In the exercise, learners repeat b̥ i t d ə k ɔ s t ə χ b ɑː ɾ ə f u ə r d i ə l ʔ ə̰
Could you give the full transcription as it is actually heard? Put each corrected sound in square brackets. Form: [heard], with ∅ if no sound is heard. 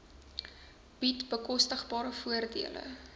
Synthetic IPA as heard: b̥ i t [b] ə k ɔ s t ə χ b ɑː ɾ ə f u ə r d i ə l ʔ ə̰